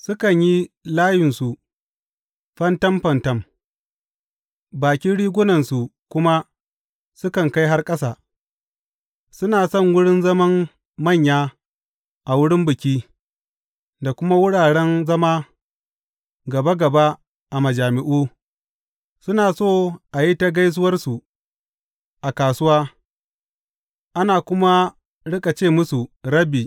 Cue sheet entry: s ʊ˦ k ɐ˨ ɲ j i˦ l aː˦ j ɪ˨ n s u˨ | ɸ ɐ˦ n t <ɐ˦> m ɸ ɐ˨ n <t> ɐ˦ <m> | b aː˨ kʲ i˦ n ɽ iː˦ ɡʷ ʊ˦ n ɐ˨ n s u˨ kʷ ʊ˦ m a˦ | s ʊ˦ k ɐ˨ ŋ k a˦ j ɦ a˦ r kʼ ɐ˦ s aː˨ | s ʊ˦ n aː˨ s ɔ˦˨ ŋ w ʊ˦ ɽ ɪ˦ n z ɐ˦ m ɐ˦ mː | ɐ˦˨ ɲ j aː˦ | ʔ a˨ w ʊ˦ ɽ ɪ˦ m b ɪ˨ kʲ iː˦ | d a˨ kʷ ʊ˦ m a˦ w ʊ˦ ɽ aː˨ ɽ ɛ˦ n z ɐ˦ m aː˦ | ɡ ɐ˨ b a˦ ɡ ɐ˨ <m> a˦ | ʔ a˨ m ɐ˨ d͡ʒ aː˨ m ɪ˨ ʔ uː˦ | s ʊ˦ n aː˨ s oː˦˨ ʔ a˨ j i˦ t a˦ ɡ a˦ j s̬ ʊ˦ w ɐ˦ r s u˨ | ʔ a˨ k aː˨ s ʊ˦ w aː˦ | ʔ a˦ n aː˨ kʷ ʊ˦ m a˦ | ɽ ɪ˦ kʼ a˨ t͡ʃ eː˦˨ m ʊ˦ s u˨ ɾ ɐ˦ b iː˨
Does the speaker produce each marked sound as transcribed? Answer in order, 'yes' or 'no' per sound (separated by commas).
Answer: yes, yes, yes, no